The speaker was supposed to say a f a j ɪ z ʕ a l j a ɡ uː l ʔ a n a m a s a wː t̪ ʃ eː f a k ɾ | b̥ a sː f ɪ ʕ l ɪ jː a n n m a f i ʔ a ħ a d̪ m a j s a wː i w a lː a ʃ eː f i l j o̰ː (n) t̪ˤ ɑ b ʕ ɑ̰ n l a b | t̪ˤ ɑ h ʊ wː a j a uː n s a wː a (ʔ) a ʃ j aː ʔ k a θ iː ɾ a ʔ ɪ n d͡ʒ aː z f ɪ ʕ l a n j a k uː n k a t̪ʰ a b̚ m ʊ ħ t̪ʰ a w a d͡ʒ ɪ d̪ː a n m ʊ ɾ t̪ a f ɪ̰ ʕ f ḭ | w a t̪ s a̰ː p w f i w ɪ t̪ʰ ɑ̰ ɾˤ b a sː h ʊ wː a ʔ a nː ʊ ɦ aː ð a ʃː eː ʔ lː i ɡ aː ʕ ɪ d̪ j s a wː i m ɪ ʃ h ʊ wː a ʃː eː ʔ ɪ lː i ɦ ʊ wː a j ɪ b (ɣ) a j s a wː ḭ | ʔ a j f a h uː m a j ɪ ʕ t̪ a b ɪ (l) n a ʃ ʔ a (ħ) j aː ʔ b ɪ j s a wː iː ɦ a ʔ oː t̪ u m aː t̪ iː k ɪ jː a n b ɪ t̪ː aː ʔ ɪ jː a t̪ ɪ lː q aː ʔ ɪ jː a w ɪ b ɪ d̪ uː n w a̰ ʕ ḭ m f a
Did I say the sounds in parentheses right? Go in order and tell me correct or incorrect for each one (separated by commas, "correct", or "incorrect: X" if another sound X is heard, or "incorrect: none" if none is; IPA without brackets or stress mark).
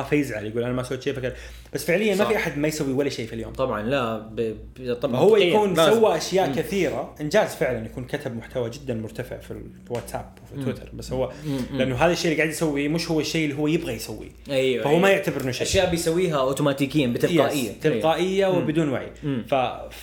incorrect: m, correct, correct, incorrect: ɾ, incorrect: ʃ